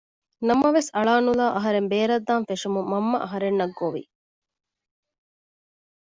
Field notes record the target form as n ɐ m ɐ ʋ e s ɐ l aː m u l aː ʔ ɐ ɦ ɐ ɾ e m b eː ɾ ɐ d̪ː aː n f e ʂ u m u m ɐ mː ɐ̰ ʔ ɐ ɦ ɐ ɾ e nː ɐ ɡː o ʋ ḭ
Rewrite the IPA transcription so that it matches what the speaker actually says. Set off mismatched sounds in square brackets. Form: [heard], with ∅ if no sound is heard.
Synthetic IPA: n ɐ m ɐ ʋ e s ɐ [ɭ] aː [n] u l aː ʔ ɐ ɦ ɐ ɾ e m b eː ɾ ɐ d̪ː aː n f e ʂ u m u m ɐ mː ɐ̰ ʔ ɐ ɦ ɐ ɾ e nː ɐ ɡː o ʋ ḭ